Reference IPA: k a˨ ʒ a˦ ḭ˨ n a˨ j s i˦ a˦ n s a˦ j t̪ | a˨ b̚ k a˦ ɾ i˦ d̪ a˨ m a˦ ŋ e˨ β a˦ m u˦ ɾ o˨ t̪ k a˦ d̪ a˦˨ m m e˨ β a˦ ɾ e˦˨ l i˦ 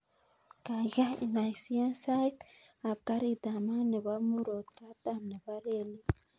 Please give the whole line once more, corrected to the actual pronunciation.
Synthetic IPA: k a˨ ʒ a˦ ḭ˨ n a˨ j s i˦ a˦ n s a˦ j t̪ | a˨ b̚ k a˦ ɾ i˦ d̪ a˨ m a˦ n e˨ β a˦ m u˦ ɾ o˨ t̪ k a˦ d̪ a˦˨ m n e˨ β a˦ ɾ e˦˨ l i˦